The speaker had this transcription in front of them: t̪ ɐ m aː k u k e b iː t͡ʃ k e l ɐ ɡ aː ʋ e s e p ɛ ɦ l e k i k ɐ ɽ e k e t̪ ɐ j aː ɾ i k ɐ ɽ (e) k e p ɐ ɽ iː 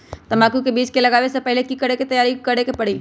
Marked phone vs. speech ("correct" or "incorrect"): correct